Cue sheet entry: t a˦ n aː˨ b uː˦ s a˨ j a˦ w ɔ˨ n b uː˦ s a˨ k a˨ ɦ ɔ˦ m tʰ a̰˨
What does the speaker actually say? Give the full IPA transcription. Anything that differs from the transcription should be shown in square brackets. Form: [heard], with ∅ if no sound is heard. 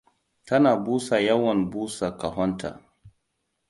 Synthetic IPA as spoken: t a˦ n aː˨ b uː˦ s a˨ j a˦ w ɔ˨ n b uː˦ s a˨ k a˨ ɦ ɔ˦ [n] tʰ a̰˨